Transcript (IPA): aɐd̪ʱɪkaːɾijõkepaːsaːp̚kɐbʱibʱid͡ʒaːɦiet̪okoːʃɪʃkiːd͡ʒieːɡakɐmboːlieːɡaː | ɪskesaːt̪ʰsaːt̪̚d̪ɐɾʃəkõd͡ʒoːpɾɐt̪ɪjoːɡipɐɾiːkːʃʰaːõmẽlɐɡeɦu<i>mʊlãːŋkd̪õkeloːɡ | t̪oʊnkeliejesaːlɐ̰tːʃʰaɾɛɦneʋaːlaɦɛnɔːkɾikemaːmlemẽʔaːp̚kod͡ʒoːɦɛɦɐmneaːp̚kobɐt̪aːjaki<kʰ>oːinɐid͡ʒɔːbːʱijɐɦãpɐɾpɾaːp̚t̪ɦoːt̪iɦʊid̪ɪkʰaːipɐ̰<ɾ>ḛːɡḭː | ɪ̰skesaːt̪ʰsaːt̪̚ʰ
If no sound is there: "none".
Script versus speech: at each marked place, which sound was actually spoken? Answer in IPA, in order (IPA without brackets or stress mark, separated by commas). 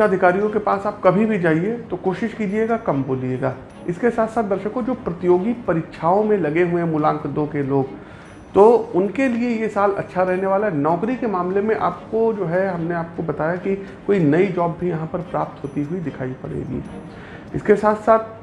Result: e, k, ɽ